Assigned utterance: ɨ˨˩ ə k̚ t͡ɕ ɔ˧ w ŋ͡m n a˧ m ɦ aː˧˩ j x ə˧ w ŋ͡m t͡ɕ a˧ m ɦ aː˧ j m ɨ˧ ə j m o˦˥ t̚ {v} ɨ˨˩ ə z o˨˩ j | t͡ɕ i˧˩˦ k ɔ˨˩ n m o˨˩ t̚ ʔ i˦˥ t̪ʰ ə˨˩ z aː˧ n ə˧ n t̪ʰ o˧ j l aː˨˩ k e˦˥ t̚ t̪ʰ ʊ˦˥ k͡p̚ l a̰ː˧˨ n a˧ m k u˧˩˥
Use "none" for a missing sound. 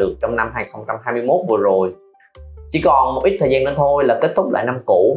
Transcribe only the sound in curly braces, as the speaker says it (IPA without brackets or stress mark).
v